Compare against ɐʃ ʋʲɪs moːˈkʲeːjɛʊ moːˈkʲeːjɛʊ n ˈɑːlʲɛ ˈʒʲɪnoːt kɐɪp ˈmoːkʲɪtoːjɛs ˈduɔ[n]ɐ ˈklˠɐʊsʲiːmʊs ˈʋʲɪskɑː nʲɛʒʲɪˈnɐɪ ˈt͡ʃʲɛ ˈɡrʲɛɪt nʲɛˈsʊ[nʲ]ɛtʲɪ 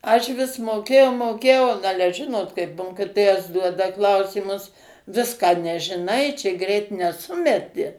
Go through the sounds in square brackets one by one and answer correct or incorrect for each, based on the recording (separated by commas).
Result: incorrect, incorrect